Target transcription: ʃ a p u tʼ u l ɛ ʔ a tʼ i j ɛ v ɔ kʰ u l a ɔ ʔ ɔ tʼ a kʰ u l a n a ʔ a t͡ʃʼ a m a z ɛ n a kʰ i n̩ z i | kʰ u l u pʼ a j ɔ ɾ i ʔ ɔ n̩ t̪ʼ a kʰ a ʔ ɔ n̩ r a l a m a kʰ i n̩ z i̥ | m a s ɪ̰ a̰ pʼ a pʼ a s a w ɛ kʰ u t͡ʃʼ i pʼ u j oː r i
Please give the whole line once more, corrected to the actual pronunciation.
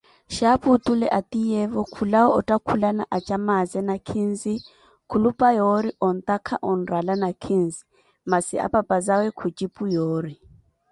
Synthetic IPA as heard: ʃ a p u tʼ u l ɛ ʔ a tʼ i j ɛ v ɔ kʰ u l a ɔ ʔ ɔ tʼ a kʰ u l a n a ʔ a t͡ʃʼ a m a z ɛ n a kʰ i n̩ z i | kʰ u l u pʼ a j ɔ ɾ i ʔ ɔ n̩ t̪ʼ a kʰ a ʔ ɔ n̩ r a l a n a kʰ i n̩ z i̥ | m a s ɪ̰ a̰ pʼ a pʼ a z a w ɛ kʰ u t͡ʃʼ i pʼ u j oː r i